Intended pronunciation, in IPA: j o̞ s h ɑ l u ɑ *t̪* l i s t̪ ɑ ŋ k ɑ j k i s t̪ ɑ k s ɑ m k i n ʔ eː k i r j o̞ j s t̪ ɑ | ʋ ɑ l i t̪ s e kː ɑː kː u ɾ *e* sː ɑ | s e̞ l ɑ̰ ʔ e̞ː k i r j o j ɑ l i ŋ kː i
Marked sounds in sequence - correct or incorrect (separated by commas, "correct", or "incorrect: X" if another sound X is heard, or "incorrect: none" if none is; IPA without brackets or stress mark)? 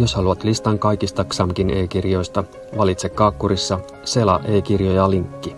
correct, incorrect: i